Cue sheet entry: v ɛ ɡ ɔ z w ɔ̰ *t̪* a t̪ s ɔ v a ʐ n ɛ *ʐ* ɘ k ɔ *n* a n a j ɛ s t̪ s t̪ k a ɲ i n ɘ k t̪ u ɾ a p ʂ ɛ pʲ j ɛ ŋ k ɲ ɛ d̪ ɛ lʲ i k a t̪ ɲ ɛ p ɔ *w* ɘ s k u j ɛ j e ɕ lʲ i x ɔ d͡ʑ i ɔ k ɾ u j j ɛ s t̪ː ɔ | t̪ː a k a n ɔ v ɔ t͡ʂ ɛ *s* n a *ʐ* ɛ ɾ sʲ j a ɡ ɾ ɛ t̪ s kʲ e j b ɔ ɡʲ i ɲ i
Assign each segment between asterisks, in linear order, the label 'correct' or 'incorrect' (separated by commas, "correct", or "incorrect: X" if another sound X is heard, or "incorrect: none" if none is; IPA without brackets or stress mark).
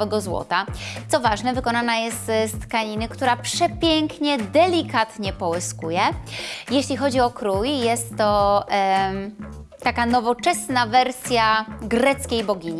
correct, incorrect: v, correct, correct, correct, incorrect: v